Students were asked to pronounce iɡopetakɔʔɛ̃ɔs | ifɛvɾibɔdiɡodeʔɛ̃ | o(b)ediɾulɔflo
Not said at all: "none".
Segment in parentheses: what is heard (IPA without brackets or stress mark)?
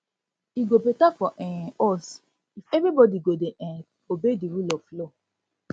b